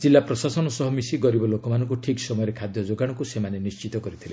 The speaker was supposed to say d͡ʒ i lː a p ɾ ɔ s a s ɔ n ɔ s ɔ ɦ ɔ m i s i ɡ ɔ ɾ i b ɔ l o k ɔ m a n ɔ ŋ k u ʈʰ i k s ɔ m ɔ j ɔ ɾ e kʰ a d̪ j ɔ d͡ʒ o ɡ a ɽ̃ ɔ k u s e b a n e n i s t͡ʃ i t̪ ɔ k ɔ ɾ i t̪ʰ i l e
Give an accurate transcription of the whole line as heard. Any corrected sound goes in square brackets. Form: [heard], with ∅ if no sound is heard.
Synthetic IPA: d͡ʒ i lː a p ɾ ɔ s a s ɔ n ɔ s ɔ ɦ ɔ m i s i ɡ ɔ ɾ i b ɔ l o k ɔ m a n ɔ ŋ k u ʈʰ i k s ɔ m ɔ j ɔ ɾ e kʰ a d̪ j ɔ d͡ʒ o ɡ a ɽ̃ ɔ k u s e [m] a n e n i s t͡ʃ i t̪ ɔ k ɔ ɾ i t̪ʰ i l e